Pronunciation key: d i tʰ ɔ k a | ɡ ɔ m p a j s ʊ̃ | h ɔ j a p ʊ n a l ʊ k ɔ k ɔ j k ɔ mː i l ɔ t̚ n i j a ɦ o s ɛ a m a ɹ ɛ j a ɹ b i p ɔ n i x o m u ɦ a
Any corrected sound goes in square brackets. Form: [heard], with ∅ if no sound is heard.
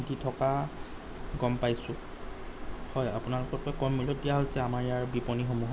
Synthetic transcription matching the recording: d i tʰ ɔ k a | ɡ ɔ m p a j s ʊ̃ | h ɔ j a p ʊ n a l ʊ k ɔ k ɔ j k ɔ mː i l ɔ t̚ [d] i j a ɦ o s ɛ a m a ɹ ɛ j a ɹ b i p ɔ n i x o m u ɦ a